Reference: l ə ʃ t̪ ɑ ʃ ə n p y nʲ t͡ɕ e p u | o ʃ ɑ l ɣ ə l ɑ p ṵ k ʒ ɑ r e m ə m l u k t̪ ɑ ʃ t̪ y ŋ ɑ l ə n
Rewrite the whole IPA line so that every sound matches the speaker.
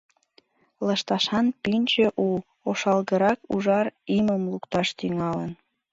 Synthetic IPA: l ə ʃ t̪ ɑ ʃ ɑ n p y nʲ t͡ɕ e ʔ u | o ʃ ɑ l ɣ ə ɾ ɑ k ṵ ʒ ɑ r i m ə m l u k t̪ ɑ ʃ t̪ y ŋ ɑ l ə n